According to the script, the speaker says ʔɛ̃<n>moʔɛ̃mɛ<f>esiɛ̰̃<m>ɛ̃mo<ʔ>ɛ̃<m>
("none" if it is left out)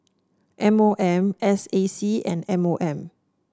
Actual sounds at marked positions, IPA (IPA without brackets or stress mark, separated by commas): none, s, n, ʔ, m